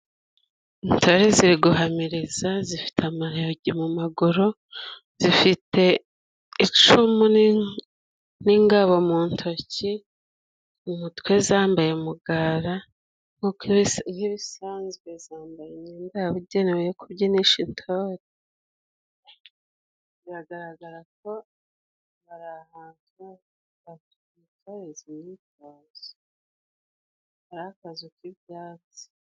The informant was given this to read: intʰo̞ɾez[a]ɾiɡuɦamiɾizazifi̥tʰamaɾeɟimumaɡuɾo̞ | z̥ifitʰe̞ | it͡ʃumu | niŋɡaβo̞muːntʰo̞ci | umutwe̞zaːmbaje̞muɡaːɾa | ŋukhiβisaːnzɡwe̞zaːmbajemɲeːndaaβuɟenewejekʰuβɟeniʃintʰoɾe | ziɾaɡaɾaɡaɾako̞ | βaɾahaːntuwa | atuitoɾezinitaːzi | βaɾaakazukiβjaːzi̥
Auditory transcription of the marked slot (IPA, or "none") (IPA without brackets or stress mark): i